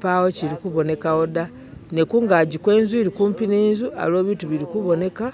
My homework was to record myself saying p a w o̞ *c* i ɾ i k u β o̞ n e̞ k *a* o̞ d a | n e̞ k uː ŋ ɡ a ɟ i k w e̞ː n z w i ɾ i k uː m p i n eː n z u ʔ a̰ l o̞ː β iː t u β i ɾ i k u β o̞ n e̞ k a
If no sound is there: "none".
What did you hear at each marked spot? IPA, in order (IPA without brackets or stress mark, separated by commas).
c, a